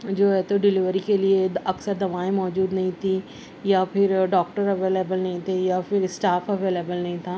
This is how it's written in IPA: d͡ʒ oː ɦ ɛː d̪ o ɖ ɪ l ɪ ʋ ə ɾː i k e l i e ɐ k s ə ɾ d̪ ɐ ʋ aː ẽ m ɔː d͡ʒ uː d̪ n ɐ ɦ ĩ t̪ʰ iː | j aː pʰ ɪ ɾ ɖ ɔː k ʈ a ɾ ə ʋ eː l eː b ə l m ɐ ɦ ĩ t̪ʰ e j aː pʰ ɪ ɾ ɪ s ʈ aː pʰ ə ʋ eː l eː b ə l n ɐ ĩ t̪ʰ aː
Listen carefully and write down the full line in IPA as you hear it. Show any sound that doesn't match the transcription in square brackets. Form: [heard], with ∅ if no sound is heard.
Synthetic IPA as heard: d͡ʒ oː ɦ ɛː [t̪] o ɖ ɪ l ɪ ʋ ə [ɾ] i k e l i e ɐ k s ə ɾ d̪ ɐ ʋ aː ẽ m ɔː d͡ʒ uː d̪ n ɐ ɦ ĩ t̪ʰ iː | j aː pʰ ɪ ɾ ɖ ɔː k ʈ [ə] ɾ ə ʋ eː l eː b ə l [n] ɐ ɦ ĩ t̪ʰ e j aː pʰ ɪ ɾ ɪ s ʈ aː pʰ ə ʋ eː l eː b ə l n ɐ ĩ t̪ʰ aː